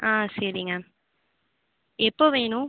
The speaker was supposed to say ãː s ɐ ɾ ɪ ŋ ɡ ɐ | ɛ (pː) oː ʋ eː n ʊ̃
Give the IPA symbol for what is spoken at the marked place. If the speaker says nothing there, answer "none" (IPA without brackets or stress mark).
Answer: pː